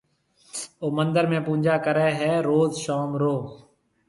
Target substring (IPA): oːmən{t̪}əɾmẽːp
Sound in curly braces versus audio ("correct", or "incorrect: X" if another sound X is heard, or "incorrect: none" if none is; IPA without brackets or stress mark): incorrect: d̪